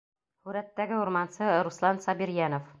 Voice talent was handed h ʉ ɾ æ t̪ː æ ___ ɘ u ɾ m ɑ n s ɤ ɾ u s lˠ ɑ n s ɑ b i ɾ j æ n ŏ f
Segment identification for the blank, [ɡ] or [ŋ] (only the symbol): ɡ